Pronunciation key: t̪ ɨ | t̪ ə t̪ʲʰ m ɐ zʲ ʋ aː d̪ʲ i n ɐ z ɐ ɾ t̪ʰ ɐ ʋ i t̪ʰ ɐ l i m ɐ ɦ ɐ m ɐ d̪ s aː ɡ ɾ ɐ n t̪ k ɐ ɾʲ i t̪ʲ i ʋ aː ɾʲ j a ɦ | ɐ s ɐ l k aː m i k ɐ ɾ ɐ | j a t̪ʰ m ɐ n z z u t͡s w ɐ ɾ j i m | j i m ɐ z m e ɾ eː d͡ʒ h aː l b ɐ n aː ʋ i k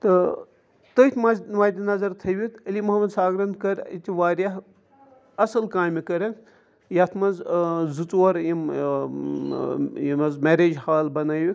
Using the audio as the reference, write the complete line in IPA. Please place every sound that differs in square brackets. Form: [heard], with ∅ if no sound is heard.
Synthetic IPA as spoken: t̪ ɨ | t̪ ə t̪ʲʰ m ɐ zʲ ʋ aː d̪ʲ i n ɐ z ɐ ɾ t̪ʰ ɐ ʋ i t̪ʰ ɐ l i m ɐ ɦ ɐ m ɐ d̪ s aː ɡ ɾ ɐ n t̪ k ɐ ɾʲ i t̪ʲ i ʋ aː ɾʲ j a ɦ | ɐ s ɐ l k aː m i k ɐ ɾ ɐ | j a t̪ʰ m ɐ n z z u t͡s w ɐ ɾ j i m | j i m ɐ z m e ɾ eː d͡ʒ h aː l b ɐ n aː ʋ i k